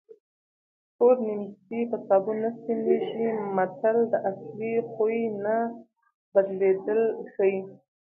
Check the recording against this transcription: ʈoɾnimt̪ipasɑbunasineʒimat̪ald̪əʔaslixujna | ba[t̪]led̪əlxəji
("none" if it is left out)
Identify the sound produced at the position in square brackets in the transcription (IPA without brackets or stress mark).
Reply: d̪